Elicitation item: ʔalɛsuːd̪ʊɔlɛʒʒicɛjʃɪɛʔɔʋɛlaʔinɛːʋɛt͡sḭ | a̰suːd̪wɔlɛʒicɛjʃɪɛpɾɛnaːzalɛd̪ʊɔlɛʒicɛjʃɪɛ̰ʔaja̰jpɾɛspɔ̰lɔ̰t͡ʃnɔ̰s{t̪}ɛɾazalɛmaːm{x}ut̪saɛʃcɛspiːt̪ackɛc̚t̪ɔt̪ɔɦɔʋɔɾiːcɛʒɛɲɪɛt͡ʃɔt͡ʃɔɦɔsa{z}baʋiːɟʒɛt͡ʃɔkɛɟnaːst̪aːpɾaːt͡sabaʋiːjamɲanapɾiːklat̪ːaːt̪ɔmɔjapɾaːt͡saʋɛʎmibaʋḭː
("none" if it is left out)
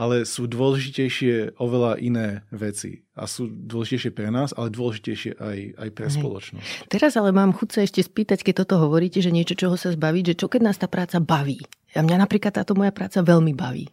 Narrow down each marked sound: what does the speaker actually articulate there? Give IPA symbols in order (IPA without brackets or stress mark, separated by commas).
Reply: t̪, x, z